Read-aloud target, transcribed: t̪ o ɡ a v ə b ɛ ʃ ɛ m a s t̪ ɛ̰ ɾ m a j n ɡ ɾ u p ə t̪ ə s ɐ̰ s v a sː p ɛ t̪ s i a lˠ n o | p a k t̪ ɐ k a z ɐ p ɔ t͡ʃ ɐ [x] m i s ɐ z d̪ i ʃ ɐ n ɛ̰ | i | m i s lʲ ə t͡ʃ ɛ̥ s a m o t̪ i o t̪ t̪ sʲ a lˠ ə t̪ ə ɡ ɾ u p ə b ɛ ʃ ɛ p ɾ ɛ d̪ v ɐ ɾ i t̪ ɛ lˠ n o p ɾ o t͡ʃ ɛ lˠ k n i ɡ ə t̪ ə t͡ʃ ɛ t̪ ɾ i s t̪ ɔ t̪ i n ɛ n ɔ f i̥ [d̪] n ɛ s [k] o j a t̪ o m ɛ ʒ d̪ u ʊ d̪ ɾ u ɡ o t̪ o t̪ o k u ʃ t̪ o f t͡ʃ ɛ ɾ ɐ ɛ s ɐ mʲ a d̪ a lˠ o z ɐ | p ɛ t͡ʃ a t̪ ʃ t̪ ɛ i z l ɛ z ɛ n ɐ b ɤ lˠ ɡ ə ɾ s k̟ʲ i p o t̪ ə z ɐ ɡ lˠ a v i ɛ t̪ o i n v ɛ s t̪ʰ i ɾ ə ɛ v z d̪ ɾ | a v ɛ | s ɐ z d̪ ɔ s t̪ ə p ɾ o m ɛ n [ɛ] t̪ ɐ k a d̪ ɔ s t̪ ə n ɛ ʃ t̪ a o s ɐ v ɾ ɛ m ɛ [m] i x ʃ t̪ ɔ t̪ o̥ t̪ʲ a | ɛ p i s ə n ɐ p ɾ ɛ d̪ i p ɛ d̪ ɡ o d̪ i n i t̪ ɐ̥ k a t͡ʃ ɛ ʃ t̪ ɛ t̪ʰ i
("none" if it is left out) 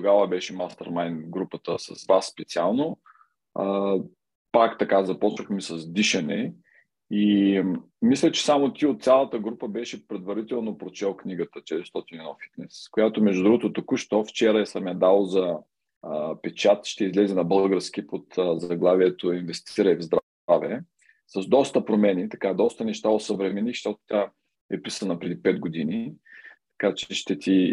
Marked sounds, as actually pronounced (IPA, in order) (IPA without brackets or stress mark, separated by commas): x, t̪, k, i, n